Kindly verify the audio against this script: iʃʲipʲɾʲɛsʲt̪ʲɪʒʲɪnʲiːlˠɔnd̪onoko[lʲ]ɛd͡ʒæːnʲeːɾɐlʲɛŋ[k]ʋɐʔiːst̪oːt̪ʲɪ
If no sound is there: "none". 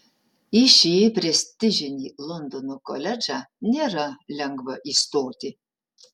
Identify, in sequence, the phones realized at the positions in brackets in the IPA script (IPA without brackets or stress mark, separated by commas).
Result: lʲ, ɡ